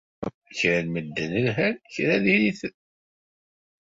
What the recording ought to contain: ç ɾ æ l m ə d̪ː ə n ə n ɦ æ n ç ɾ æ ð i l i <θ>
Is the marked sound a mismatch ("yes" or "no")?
no